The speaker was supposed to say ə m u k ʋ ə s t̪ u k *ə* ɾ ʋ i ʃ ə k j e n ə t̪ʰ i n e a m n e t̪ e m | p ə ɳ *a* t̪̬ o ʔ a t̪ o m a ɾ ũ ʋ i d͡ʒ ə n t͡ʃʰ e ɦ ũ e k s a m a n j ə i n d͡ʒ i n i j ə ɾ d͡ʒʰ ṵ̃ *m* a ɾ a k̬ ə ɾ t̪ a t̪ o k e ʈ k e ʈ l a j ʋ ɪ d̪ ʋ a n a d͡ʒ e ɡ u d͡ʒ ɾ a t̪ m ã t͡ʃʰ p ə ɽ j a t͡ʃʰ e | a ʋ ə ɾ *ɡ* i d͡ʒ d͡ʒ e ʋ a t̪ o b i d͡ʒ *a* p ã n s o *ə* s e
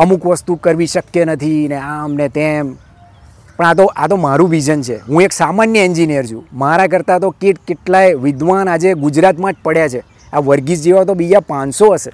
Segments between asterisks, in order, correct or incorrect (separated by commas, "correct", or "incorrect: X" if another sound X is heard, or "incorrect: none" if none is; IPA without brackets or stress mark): correct, correct, correct, correct, correct, correct